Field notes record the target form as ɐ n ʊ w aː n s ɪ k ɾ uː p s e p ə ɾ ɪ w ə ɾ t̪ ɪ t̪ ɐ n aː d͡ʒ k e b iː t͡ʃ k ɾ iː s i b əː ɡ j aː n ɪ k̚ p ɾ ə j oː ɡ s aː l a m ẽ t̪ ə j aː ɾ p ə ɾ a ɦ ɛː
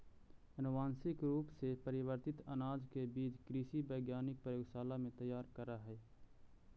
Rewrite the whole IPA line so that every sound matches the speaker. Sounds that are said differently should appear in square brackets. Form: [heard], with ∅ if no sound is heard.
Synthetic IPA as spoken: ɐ n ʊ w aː n s ɪ k ɾ uː p s e p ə ɾ ɪ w ə ɾ t̪ ɪ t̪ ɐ n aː d͡ʒ k e b iː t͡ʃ k ɾ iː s i b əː ɡ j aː n ɪ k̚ p ɾ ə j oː ɡ s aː l a m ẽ t̪ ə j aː ɾ [k] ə ɾ a ɦ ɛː